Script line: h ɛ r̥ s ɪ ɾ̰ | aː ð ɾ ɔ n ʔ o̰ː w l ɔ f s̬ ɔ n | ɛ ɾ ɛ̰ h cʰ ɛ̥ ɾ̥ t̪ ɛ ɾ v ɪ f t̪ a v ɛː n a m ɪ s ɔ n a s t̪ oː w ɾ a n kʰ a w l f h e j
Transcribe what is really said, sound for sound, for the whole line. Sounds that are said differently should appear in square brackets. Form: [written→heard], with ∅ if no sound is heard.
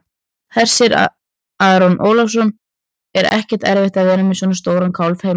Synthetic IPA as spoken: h ɛ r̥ s ɪ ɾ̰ | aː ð ɾ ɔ n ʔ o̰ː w l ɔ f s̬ ɔ n | ɛ ɾ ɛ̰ h [cʰ→c] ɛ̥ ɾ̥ t̪ ɛ ɾ v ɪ [f→h] t̪ a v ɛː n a m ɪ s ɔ n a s t̪ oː w ɾ a n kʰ a w l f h e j